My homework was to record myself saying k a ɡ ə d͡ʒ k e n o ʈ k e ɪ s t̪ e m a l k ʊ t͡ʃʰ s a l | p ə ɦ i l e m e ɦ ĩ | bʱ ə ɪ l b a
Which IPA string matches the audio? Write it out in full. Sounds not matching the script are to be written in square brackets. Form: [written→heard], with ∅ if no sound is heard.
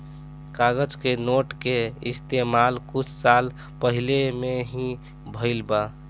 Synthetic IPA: k a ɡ ə d͡ʒ k e n o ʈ k e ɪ s t̪ e m a l k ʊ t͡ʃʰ s a l | p ə ɦ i l e m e ɦ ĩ | bʱ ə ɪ l b a